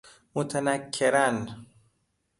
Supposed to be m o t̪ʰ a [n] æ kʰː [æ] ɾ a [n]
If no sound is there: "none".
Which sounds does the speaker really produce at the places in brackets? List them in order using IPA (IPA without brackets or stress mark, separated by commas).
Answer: n, e, n